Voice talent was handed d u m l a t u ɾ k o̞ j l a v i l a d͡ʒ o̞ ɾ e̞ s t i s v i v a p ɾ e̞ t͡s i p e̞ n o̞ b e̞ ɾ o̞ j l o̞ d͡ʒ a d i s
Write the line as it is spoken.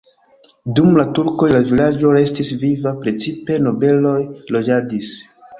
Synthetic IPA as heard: d u m l a t u ɾ k o̞ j l a v i l a d͡ʒ o̞ ɾ e̞ s t i s v i v a p ɾ e̞ t͡s i p e̞ n o̞ b e̞ l o̞ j l o̞ d͡ʒ a d i s